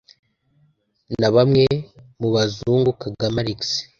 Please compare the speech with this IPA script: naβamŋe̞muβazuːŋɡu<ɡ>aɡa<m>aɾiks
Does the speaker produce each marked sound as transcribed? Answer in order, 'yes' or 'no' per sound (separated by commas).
no, yes